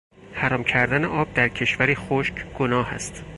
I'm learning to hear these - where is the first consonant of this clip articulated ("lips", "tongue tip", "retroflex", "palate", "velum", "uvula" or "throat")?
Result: throat